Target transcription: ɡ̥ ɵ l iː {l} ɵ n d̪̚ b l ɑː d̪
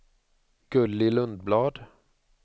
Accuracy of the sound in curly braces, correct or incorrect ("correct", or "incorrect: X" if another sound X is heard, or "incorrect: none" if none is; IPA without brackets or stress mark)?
correct